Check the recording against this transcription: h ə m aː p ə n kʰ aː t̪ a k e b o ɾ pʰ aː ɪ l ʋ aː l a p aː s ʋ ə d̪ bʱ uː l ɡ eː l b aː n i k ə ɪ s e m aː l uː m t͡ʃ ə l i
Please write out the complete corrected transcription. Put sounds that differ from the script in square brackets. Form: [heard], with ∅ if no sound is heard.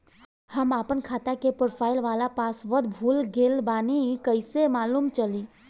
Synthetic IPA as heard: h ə m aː p ə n kʰ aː t̪ a k e [p] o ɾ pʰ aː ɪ l ʋ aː l a p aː s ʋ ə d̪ bʱ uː l ɡ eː l b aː n i k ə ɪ s e m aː l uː m t͡ʃ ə l i